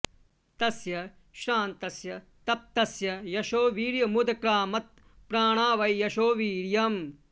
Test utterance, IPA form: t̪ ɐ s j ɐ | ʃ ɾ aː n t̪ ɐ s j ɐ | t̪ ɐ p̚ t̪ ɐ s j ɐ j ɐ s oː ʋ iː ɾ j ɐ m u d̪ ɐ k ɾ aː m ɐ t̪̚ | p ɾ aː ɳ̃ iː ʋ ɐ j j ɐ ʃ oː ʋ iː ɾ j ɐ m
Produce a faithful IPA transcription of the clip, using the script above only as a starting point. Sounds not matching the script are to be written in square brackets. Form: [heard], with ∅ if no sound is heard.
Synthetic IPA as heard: t̪ ɐ s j ɐ | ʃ ɾ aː n t̪ ɐ s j ɐ | t̪ ɐ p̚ t̪ ɐ s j ɐ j ɐ [ʃ] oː ʋ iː ɾ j ɐ m u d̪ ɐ k ɾ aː m ɐ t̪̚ | p ɾ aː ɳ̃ [aː] ʋ ɐ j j ɐ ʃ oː ʋ iː ɾ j ɐ m